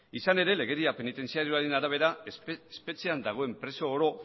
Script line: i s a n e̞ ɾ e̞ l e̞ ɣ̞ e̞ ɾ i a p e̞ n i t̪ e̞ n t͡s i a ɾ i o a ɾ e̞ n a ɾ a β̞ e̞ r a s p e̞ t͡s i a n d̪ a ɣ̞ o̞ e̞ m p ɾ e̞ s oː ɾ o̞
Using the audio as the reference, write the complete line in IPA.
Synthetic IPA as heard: i s a n e̞ ɾ e̞ l e̞ ɣ̞ e̞ ɾ i a p e̞ n i t̪ e̞ n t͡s i a ɾ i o a ɾ e̞ n a ɾ a β̞ e̞ ɾ a s p e̞ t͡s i a n d̪ a ɣ̞ o̞ e̞ m p ɾ e̞ s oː ɾ o̞